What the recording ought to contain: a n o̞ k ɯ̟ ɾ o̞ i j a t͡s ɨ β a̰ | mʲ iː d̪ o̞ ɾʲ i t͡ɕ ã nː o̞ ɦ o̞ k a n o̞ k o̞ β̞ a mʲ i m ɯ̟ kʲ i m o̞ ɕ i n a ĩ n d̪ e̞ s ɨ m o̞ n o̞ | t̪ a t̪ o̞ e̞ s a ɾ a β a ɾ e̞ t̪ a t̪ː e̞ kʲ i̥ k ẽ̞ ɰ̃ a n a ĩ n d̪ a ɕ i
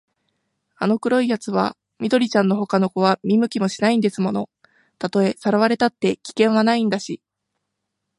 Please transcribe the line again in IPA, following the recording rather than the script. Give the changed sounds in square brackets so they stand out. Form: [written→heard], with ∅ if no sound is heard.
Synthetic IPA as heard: a n o̞ k ɯ̟ ɾ o̞ i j a t͡s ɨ β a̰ | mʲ [iː→i] d̪ o̞ ɾʲ i t͡ɕ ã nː o̞ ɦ o̞ k a n o̞ k o̞ β̞ a mʲ i m ɯ̟ kʲ i m o̞ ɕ i n a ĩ n d̪ e̞ s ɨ m o̞ n o̞ | t̪ a t̪ o̞ e̞ s a ɾ a β a ɾ e̞ t̪ a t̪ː e̞ kʲ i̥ k ẽ̞ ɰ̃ a n a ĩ n d̪ a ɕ i